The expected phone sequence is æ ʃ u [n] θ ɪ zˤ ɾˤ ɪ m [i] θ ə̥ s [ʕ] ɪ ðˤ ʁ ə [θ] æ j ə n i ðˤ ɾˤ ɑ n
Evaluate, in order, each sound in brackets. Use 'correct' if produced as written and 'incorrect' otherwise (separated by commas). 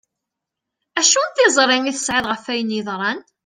correct, correct, correct, incorrect